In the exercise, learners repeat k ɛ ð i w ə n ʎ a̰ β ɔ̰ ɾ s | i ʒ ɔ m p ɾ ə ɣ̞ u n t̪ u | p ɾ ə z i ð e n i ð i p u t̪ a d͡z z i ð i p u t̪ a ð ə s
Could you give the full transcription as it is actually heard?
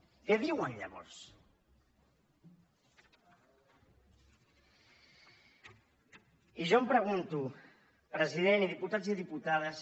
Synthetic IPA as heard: k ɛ ð i w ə n ʎ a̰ β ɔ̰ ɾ s | i ʒ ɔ m p ɾ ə ɣ̞ u n t̪ u | p ɾ ə z i ð e n i ð i p u t̪ a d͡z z i ð i p u t̪ a ð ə s